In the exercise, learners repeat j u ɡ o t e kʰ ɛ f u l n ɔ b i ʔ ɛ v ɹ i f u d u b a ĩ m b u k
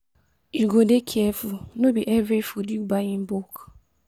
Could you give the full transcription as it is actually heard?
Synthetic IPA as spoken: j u ɡ o d e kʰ ɛ f u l n o b i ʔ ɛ v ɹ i f u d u b a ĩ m b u k